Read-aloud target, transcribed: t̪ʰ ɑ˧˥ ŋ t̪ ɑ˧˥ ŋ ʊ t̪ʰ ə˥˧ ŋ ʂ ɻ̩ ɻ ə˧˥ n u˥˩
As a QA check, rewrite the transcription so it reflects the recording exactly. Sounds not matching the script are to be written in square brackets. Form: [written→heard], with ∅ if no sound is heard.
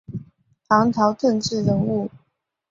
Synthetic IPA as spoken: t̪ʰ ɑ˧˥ ŋ [t̪→t̪ʰ] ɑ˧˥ [ŋ→∅] ʊ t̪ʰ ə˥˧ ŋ [ʂ→ʈ͡ʂ] ɻ̩ ɻ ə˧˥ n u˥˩